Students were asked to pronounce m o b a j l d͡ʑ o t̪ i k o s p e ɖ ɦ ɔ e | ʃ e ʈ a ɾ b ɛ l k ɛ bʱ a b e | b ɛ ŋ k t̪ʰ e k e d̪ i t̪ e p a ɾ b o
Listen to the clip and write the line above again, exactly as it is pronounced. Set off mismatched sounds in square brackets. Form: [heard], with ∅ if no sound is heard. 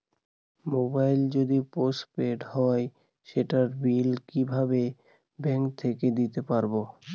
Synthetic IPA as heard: m o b a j l d͡ʑ o [d̪] i [p] o s p e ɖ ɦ ɔ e | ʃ e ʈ a ɾ b [i] l k [i] bʱ a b e | b ɛ ŋ k t̪ʰ e k e d̪ i t̪ e p a ɾ b o